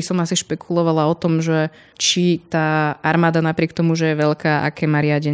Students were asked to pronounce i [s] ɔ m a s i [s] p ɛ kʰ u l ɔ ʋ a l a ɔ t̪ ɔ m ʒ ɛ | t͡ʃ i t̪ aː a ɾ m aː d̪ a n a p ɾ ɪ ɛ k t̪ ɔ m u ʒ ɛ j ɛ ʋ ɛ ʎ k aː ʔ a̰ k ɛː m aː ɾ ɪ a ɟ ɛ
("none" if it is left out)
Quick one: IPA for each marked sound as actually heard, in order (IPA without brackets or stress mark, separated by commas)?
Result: s, ʃ